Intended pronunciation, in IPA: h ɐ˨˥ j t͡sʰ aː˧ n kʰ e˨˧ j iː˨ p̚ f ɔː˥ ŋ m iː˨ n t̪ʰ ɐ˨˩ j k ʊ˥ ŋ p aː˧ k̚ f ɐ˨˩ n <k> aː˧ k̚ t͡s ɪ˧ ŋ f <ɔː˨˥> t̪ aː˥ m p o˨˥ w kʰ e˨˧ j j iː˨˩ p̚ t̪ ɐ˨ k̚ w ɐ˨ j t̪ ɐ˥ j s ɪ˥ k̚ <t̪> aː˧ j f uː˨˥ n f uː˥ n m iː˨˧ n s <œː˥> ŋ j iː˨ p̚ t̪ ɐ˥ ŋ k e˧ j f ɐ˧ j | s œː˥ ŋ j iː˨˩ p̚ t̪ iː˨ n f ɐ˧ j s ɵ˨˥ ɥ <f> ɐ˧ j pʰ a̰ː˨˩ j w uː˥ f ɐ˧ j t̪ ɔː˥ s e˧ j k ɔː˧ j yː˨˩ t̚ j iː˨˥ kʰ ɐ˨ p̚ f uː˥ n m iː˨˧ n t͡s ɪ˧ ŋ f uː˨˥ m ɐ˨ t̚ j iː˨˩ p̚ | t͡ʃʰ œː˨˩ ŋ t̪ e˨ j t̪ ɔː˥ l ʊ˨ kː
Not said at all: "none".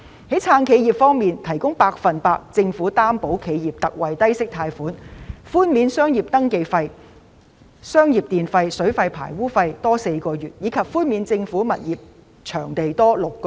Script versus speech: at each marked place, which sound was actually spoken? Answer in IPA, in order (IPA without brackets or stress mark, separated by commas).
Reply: p, uː˨˥, t̪ʰ, œː˥, f